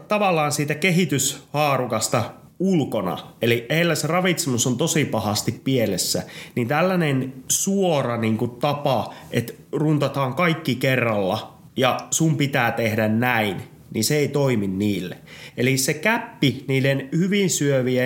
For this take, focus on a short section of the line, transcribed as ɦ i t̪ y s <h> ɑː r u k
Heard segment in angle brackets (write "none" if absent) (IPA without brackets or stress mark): h